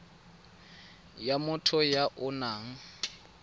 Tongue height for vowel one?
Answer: low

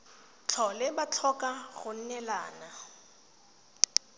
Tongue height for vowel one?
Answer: mid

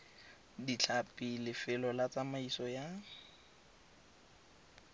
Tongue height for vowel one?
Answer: high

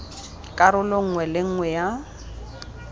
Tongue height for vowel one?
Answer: low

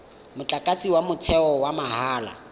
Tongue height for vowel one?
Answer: high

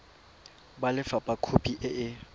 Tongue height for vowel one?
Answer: low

